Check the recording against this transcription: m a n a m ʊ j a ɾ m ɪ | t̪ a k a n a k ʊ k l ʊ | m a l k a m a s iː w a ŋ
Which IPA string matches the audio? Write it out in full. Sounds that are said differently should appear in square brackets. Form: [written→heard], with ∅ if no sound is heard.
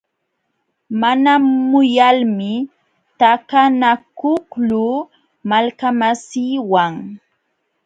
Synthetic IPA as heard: m a n a m ʊ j a [ɾ→l] m ɪ | t̪ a k a n a k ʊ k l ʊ | m a l k a m a s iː w a ŋ